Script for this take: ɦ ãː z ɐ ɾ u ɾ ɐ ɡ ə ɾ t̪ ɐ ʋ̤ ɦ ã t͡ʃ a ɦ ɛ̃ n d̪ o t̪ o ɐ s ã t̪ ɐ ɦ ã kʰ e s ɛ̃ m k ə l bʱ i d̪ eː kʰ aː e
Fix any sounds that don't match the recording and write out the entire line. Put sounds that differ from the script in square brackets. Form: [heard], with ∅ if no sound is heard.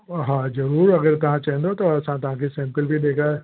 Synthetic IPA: ɦ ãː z ɐ ɾ [uː] ɾ ɐ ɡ ə ɾ t̪ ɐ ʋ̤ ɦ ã t͡ʃ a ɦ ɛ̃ n d̪ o t̪ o ɐ s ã t̪ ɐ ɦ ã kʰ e s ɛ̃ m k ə l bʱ i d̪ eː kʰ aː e